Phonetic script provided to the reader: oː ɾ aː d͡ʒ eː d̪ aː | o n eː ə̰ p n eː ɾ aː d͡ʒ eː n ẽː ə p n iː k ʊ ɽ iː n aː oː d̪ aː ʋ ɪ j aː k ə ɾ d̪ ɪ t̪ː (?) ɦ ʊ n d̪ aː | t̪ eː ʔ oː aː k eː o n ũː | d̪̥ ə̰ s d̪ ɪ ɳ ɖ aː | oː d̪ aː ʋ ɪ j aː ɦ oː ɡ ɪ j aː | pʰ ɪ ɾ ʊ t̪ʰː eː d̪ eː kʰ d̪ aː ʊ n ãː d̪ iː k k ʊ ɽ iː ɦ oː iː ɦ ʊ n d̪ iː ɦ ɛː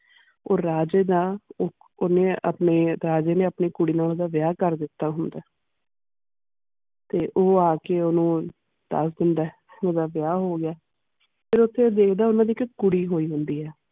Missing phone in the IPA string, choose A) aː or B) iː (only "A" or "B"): A